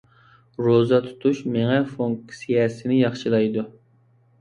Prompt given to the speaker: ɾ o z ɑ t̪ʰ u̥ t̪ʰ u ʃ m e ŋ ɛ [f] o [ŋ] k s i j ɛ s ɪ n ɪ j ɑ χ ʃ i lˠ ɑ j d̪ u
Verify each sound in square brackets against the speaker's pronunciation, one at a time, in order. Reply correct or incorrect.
correct, correct

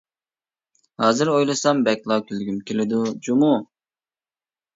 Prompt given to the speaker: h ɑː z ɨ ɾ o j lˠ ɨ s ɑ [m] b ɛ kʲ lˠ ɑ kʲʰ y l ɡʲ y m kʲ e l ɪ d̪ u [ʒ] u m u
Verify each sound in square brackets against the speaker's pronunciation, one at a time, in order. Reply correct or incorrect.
correct, incorrect: d͡ʒ

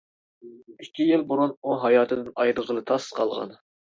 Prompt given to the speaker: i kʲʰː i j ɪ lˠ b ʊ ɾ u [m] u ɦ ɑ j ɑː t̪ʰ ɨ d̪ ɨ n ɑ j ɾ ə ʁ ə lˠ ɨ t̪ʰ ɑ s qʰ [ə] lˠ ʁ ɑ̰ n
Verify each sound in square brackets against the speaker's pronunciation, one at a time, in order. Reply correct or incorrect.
incorrect: n, incorrect: ɑ

